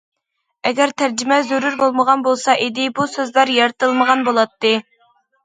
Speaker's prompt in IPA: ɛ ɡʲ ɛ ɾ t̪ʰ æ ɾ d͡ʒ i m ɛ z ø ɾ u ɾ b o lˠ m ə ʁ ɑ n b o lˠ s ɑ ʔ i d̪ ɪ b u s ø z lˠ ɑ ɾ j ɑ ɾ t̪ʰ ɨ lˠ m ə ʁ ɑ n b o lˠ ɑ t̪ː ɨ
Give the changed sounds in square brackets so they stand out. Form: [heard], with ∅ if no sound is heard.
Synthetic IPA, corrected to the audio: ɛ ɡʲ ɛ ɾ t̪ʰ æ ɾ d͡ʒ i m ɛ z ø ɾ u ɾ b o lˠ m ə ʁ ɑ n b o lˠ s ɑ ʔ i d̪ ɪ b u s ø z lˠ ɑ ɾ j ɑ ɾ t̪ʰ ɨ lˠ m ə ʁ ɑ n b o lˠ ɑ t̪ː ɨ